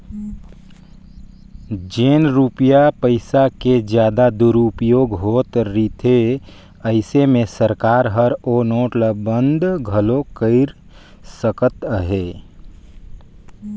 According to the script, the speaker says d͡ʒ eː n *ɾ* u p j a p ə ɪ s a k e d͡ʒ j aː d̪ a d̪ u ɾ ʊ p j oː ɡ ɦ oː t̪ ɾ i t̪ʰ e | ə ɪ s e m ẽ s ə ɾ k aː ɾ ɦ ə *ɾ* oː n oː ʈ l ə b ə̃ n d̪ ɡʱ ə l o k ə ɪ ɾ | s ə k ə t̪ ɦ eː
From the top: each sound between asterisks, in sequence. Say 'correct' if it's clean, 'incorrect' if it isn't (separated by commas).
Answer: correct, correct